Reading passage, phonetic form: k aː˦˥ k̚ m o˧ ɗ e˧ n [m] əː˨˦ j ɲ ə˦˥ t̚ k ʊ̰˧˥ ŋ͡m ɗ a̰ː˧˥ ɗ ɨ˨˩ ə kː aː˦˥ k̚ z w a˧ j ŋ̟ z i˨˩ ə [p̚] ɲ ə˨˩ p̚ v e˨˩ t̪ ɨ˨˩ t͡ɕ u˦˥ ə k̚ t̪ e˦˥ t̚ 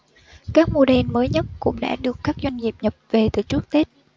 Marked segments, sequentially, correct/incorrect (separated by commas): correct, correct